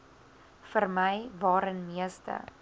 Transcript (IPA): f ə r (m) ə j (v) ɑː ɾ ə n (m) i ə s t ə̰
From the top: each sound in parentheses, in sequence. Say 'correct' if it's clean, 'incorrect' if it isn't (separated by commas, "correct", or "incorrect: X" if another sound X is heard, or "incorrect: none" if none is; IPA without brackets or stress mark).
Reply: correct, correct, correct